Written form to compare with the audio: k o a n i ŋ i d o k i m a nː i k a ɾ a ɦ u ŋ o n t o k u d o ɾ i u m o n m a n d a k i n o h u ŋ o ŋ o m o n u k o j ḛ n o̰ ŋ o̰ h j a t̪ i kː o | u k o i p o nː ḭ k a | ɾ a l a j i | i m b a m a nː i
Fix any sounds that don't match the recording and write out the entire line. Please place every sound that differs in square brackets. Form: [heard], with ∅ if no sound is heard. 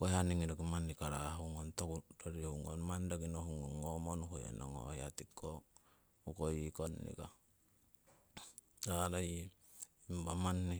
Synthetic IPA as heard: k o a n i ŋ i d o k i m a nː i k a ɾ a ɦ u ŋ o n t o k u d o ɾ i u [ŋ] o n m a n d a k i n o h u ŋ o ŋ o m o n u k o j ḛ n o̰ ŋ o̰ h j a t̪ i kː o | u k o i [k] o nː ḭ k a | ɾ a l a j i | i m b a m a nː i

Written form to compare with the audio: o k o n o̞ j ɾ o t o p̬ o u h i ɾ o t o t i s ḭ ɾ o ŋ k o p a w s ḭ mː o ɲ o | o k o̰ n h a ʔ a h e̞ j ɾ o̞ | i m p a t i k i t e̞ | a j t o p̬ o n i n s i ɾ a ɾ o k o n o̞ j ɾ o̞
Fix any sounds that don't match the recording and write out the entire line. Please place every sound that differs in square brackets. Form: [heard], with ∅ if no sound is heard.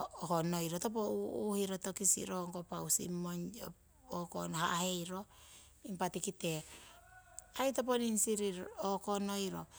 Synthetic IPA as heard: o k o n o̞ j ɾ o t o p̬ o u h i ɾ o t o [k] i s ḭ ɾ o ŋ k o p a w s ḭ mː o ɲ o | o k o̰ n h a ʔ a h e̞ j ɾ o̞ | i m p a t i k i t e̞ | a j t o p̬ o n i n s i ɾ [i] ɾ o k o n o̞ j ɾ o̞

